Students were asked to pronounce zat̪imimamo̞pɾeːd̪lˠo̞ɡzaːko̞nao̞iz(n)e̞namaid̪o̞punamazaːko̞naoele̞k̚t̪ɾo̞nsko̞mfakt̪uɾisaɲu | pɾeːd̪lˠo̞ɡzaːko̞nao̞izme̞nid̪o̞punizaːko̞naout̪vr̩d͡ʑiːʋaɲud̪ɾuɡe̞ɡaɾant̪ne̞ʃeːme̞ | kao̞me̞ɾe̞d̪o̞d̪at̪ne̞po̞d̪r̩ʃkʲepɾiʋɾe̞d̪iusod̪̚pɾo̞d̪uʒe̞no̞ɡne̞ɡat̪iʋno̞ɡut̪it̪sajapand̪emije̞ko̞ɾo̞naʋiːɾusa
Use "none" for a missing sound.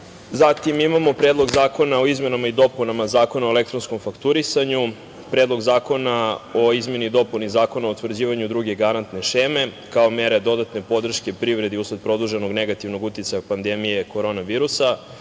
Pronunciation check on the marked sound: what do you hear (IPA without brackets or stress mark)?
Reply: m